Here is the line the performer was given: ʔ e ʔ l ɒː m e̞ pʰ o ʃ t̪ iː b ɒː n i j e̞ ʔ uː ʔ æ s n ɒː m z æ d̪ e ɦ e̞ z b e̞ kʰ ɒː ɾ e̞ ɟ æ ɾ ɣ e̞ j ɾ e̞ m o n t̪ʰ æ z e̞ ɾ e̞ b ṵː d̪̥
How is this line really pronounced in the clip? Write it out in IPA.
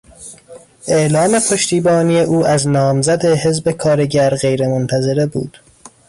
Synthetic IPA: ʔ e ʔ l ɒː m e̞ pʰ o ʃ t̪ iː b ɒː n i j e̞ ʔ uː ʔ æ z n ɒː m z æ d̪ e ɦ e̞ z b e̞ kʰ ɒː ɾ e̞ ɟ æ ɾ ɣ e̞ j ɾ e̞ m o n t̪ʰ æ z e̞ ɾ e̞ b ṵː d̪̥